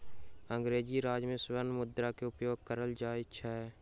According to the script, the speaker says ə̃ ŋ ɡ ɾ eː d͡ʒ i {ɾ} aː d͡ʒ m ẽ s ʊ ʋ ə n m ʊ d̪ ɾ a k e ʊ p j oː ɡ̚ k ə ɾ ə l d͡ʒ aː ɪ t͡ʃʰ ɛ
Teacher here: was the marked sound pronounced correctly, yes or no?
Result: yes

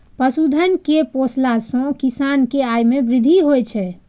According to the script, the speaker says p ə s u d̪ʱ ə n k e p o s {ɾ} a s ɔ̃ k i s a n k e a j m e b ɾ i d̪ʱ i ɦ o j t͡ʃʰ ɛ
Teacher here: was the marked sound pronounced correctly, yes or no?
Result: no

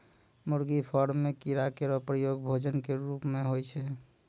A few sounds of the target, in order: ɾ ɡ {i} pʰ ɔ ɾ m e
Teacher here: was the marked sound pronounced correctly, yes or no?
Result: yes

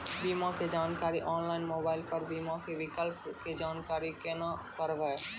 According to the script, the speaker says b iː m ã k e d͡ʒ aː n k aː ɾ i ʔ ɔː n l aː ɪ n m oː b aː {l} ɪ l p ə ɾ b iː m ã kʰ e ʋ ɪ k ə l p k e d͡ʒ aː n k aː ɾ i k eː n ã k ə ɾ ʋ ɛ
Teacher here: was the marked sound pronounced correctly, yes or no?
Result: no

